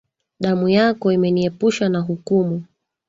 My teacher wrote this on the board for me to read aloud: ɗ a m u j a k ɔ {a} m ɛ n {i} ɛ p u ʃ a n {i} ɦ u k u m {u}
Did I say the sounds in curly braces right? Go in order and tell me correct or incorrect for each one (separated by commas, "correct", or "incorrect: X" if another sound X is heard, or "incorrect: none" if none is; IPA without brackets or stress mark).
incorrect: i, correct, incorrect: a, correct